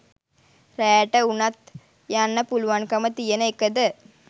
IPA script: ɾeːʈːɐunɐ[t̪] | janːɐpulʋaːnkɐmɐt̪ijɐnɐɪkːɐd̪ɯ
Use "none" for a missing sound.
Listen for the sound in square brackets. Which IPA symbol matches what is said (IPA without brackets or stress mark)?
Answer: t̪